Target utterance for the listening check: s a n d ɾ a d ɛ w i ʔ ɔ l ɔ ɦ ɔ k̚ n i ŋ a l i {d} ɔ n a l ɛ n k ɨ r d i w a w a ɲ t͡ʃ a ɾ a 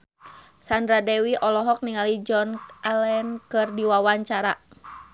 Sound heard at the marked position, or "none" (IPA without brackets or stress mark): d͡ʒ